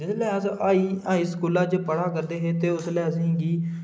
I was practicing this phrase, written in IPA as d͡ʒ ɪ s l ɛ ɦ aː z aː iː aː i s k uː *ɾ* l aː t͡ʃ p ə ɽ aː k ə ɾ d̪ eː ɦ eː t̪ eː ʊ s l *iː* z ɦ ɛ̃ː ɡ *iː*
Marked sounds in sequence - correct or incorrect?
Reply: incorrect, incorrect, correct

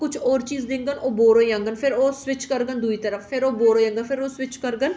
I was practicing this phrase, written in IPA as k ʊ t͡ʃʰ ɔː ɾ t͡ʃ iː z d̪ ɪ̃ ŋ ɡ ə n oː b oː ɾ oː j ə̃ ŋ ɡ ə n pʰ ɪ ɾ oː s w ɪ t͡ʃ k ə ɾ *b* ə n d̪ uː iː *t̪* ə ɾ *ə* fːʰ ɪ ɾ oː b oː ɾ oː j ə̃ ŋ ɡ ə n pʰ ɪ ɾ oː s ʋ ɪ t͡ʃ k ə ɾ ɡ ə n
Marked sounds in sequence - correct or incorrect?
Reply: incorrect, correct, correct

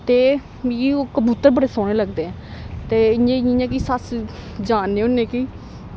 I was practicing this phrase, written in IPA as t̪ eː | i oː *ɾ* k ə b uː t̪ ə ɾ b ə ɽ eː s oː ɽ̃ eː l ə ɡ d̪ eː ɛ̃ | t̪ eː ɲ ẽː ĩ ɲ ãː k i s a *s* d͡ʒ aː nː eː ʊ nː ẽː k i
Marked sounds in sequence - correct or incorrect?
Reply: incorrect, correct

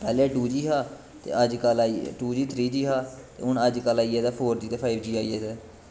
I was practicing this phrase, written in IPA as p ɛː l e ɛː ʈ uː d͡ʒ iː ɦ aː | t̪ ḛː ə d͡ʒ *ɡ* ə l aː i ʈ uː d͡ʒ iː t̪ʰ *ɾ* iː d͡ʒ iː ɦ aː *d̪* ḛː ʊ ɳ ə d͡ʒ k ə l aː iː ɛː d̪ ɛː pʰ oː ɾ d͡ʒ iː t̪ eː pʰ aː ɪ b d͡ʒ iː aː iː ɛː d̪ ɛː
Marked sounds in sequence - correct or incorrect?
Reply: incorrect, correct, incorrect

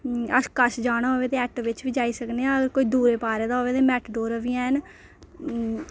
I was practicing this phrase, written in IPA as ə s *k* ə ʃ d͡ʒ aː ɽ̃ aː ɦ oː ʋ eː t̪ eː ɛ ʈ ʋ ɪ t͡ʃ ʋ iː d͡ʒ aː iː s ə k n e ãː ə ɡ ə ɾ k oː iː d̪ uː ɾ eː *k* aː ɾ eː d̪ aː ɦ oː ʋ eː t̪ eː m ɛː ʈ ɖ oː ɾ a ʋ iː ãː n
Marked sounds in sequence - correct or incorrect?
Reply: correct, incorrect

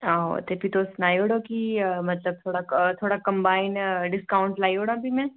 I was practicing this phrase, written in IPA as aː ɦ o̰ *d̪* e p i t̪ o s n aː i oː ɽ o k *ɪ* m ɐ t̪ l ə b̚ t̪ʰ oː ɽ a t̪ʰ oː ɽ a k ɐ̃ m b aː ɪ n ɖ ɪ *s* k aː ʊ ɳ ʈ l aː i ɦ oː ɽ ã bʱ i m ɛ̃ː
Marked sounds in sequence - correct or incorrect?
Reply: incorrect, incorrect, correct

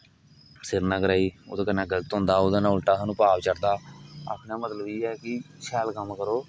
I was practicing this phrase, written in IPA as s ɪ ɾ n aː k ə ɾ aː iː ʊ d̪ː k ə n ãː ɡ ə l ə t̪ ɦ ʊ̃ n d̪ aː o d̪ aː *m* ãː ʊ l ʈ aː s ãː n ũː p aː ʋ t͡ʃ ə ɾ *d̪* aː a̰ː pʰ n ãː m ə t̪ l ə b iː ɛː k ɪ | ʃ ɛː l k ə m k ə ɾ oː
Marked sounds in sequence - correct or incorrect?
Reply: incorrect, correct

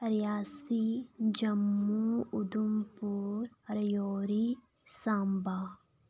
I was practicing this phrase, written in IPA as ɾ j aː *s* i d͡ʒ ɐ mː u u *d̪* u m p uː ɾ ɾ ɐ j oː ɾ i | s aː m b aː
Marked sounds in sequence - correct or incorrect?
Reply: correct, correct

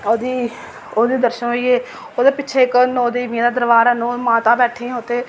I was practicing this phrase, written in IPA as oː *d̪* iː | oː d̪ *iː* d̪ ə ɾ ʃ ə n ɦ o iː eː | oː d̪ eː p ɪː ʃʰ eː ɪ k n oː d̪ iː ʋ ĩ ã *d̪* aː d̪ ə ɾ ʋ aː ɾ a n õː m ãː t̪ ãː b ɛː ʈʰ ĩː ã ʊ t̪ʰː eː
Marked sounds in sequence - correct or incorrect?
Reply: correct, correct, correct

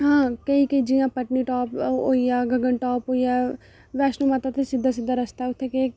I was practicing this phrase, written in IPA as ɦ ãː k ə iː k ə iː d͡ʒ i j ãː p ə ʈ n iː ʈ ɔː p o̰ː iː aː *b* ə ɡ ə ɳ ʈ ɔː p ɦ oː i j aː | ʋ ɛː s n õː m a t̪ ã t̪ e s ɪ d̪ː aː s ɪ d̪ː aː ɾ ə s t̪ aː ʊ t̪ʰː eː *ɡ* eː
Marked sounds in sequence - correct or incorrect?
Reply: incorrect, incorrect

